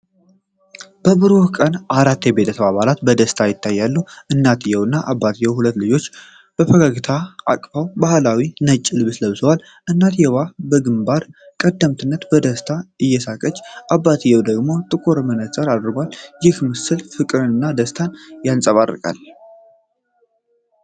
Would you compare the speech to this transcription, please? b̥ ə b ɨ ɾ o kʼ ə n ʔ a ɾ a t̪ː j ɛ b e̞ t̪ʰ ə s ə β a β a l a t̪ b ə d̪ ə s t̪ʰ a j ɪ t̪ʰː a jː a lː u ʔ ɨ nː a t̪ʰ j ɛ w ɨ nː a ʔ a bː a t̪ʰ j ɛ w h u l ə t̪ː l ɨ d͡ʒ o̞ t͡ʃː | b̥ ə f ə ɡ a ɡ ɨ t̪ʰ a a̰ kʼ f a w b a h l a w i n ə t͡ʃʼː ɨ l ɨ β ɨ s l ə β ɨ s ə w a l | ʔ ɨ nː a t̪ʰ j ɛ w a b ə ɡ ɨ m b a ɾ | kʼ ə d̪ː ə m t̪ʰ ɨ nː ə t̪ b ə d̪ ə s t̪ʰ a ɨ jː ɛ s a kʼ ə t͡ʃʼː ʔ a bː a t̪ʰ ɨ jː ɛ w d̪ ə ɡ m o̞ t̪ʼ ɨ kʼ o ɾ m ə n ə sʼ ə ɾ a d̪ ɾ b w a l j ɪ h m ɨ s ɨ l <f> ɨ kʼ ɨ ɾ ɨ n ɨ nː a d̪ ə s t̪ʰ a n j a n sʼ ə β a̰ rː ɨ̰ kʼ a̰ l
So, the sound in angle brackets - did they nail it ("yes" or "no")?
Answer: yes